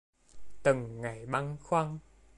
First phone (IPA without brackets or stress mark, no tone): t̪